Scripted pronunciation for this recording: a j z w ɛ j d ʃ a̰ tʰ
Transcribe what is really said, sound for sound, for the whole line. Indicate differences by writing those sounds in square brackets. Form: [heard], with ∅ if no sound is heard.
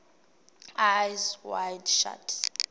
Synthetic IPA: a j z w [a] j d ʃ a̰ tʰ